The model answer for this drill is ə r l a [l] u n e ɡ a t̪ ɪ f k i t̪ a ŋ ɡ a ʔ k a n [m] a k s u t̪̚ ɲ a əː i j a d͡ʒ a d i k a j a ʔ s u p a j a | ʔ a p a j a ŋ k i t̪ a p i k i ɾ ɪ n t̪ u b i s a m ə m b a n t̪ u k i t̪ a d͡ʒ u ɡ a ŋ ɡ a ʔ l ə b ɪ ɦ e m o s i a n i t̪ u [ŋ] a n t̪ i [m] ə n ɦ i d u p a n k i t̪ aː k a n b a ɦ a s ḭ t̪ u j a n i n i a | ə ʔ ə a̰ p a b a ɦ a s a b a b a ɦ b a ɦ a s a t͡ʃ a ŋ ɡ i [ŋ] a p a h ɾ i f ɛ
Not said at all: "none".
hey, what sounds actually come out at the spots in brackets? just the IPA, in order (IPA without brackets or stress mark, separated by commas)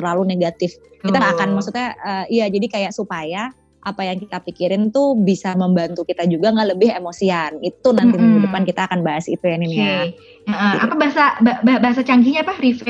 l, m, n, m, ɲ